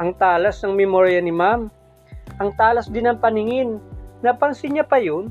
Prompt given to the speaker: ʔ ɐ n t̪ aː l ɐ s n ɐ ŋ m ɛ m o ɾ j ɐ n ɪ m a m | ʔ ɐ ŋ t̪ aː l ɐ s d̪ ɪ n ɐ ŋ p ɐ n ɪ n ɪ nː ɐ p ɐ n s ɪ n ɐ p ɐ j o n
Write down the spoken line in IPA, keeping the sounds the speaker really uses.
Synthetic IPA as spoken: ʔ ɐ ŋ t̪ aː l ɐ s n ɐ ŋ m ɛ m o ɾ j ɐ n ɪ m a m | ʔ ɐ ŋ t̪ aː l ɐ s d̪ ɪ n ɐ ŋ p ɐ n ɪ ŋ ɪ nː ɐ p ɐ n s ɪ ɲ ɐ p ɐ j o n